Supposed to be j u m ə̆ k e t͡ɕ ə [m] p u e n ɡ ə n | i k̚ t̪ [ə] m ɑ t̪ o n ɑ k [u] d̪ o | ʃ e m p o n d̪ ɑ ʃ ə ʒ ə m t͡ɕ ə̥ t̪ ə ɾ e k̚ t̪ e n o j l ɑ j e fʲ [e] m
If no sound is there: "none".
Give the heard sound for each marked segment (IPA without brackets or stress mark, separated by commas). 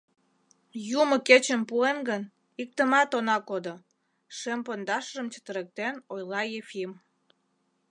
m, ə, o, i